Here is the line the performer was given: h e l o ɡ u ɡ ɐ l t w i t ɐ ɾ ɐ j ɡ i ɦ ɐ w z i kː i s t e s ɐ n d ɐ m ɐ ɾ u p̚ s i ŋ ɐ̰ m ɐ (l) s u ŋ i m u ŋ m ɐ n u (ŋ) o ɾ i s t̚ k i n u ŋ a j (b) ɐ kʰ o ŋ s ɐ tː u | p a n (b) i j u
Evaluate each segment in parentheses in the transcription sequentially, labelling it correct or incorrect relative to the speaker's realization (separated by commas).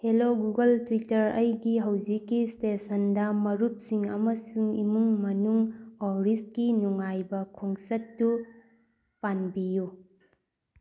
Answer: incorrect, correct, correct, correct